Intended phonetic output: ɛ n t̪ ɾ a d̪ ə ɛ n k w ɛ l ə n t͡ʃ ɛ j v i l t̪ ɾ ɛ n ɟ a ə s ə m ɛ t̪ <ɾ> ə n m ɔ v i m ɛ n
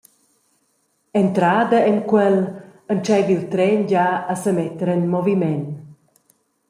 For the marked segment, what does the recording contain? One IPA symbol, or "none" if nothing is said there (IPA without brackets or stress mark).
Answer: ɾ